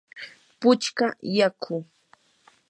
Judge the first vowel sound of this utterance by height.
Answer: high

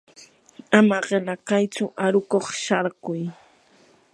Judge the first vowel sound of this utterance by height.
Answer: low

